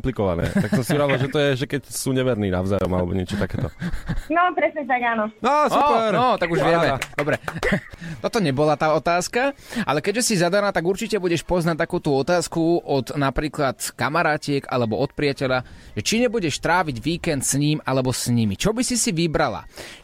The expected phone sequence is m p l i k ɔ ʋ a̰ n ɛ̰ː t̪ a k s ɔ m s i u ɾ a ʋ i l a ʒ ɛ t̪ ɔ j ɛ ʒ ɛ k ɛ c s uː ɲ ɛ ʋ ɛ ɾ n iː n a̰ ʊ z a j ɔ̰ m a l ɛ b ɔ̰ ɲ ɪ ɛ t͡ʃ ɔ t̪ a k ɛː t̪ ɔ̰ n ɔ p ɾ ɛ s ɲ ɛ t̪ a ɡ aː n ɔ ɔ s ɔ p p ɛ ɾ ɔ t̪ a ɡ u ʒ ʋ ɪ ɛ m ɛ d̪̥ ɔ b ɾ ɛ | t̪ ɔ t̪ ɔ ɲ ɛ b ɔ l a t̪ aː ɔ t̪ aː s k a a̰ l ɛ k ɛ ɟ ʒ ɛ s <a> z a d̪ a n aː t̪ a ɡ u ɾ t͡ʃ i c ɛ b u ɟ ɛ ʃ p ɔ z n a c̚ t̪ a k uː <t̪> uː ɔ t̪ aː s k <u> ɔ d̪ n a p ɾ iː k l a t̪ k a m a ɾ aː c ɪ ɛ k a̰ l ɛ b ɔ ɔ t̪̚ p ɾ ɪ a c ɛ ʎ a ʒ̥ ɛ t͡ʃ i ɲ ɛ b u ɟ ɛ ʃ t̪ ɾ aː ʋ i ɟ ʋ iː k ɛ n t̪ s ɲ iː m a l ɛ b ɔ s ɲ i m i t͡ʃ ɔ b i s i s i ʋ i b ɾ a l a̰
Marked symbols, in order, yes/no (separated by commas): no, yes, yes